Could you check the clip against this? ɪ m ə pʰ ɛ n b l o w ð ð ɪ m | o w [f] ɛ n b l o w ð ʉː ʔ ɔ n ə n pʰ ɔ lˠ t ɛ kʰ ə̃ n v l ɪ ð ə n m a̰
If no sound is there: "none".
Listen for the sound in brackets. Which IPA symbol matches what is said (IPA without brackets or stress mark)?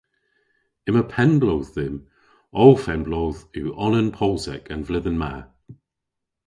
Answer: f